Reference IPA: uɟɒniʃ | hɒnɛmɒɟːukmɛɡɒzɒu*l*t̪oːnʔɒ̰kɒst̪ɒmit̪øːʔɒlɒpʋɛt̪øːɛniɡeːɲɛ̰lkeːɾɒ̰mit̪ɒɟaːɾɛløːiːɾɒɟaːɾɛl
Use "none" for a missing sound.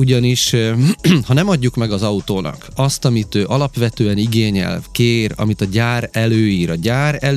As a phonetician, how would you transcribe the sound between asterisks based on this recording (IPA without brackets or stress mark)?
none